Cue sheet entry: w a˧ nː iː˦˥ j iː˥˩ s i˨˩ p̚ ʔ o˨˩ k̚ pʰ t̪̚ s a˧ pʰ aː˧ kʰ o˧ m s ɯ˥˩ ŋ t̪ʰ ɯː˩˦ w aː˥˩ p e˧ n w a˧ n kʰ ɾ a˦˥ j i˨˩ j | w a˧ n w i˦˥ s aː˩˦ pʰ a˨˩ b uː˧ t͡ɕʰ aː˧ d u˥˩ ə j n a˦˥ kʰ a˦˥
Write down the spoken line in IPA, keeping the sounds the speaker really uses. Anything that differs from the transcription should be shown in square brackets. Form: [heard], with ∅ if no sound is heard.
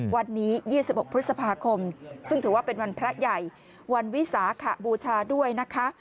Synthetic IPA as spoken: w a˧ nː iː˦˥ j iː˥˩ s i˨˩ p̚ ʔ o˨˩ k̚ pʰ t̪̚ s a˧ pʰ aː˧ kʰ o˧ m s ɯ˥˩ ŋ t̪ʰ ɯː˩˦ w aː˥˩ p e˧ n w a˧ n [pʰ] ɾ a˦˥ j [a˨˩] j | w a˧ n w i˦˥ s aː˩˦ [kʰ] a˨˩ b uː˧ t͡ɕʰ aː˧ d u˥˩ ə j n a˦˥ kʰ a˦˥